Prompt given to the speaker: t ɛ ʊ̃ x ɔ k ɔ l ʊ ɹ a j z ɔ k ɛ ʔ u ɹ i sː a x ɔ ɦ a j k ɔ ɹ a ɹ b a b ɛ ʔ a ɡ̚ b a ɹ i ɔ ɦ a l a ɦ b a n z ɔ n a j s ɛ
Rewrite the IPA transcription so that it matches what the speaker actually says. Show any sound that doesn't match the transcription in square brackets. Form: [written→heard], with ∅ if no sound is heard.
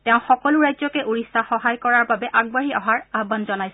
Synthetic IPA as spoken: t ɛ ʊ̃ x ɔ k ɔ l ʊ ɹ a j z ɔ k ɛ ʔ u ɹ i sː a x ɔ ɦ a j k ɔ ɹ a ɹ b a b ɛ ʔ a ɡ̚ b a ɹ i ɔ ɦ a [l→ɹ] a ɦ b a n z ɔ n a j s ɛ